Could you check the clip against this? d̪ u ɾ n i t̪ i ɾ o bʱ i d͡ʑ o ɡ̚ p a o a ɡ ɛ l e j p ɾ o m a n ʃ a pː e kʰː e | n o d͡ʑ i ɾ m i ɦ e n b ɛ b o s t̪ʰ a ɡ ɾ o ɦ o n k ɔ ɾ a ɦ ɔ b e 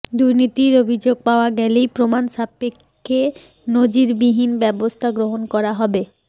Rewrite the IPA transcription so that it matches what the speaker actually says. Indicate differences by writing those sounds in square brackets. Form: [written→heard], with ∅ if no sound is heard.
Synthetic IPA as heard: d̪ u ɾ n i t̪ i ɾ o bʱ i d͡ʑ o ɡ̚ p a o a ɡ ɛ l e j p ɾ o m a n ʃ a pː e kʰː e | n o d͡ʑ i ɾ [m→b] i ɦ [e→i] n b ɛ b o s t̪ʰ a ɡ ɾ o ɦ o n k ɔ ɾ a ɦ ɔ b e